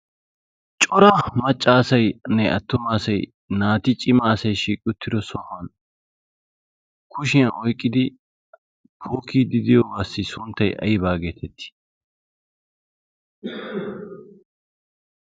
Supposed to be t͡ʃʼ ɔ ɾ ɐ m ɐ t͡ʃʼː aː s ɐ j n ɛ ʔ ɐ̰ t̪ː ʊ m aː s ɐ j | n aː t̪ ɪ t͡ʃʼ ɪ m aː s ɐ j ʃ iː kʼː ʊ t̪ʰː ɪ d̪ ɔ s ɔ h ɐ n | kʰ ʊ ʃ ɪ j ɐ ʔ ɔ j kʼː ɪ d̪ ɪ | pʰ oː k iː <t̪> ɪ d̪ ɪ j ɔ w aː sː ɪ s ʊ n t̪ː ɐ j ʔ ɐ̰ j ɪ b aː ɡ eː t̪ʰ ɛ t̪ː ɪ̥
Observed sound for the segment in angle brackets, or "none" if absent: d̪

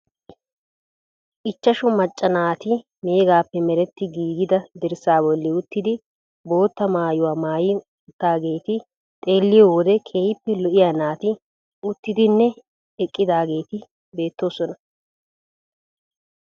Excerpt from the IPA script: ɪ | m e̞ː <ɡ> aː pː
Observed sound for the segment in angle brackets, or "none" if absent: ɡ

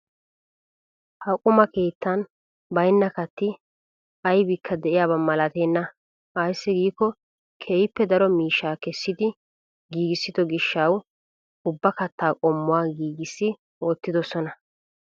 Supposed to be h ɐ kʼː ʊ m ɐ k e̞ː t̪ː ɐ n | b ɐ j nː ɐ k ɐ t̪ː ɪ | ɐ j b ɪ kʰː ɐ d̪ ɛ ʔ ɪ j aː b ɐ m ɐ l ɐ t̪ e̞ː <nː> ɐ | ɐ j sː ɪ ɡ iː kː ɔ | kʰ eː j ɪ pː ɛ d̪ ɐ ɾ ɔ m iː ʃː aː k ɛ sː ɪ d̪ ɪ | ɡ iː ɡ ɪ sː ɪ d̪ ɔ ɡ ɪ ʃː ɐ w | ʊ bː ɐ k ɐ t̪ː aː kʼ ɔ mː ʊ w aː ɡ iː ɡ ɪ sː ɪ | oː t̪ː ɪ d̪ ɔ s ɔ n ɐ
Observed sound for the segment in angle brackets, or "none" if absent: nː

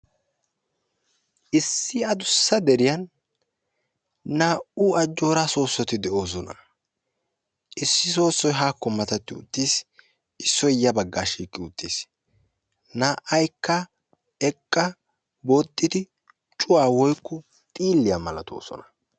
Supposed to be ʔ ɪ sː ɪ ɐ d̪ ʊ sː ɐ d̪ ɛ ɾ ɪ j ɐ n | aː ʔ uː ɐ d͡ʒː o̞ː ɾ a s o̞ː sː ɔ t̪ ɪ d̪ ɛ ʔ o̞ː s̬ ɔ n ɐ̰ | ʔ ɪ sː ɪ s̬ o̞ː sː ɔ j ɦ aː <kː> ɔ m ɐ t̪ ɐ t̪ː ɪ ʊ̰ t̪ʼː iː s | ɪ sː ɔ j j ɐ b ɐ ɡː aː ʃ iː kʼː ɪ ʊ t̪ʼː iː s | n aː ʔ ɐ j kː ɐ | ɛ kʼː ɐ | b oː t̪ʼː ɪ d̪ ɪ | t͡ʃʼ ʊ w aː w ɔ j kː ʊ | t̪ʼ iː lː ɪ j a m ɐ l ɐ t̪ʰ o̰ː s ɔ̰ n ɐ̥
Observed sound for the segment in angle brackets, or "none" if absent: kː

